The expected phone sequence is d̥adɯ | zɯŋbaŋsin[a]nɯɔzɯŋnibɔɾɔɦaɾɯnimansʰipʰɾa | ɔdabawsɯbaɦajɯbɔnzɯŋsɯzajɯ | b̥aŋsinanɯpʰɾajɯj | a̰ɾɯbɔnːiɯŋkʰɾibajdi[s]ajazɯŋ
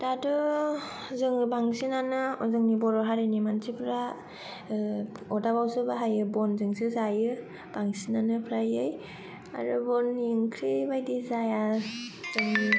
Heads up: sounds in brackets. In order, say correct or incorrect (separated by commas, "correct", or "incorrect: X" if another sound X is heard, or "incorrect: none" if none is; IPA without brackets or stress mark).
correct, incorrect: z